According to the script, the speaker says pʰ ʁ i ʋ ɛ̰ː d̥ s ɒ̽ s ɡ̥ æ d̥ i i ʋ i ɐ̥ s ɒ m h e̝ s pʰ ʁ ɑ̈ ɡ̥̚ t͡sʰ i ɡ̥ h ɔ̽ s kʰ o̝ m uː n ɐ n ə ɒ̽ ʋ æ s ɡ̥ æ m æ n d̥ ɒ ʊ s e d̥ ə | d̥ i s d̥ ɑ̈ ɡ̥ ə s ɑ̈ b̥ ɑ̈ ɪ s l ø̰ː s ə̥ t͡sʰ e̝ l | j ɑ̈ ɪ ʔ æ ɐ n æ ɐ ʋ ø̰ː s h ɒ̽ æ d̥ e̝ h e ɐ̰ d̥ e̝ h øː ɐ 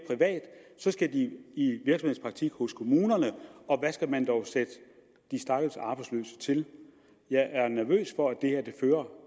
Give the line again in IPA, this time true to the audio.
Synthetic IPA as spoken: pʰ ʁ i ʋ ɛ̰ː d̥ s ɒ̽ s ɡ̥ æ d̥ i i ʋ i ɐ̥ s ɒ m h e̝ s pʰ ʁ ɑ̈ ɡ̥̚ t͡sʰ i ɡ̥ h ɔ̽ s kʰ o̝ m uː n ɐ n ə ɒ̽ ʋ æ s ɡ̥ æ m æ n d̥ ɒ ʊ s e d̥ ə | d̥ i s d̥ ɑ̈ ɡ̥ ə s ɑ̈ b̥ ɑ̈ ɪ s l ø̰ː s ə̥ t͡sʰ e̝ l | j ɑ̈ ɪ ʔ æ ɐ n æ ɐ ʋ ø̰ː s f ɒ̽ æ d̥ e̝ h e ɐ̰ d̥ e̝ f øː ɐ